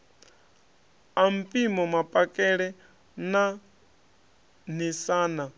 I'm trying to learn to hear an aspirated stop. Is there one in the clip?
no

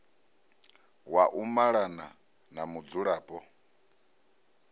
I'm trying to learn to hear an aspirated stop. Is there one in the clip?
no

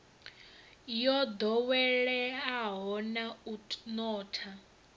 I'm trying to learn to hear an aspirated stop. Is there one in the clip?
yes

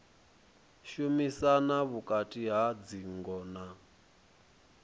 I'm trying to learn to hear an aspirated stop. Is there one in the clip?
no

